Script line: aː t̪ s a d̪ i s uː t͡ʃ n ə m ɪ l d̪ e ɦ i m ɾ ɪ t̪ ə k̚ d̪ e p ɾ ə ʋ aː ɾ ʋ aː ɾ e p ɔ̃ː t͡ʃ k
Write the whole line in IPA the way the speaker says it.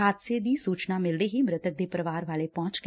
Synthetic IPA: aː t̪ s e d̪ i s uː t͡ʃ n a m ɪ l d̪ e ɦ i m ɾ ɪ t̪ ə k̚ d̪ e p ɾ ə ʋ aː ɾ ʋ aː l e p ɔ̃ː t͡ʃ k